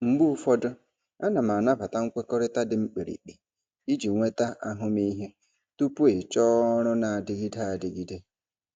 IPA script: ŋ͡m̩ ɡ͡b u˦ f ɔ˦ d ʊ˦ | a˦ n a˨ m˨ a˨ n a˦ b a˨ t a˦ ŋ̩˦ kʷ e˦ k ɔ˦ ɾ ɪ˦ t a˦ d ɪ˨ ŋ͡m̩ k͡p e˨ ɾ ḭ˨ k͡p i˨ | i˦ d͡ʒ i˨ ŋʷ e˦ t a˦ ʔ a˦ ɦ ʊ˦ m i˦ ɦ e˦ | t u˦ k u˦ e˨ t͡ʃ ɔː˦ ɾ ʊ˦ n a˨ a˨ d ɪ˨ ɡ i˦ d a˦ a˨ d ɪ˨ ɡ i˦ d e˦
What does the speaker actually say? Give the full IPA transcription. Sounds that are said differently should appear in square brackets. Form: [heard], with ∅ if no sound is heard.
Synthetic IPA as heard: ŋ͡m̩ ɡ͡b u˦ f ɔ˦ d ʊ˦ | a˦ n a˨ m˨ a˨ n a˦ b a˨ t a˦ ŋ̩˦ kʷ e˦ k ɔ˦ ɾ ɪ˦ t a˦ d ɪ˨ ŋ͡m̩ k͡p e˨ ɾ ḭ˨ k͡p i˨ | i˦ d͡ʒ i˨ ŋʷ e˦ t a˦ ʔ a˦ ɦ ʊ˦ m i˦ ɦ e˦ | t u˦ [p] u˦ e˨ t͡ʃ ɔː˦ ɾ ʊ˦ n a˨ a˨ d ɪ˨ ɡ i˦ d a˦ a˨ d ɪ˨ ɡ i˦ d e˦